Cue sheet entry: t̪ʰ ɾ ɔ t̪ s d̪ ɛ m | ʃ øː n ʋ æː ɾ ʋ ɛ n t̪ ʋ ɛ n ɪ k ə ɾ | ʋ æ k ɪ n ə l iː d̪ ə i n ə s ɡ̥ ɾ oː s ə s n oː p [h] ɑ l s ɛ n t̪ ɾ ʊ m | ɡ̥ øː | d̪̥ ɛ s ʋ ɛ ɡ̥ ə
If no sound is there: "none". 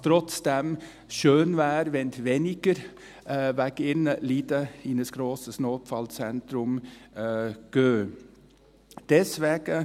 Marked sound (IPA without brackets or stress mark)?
f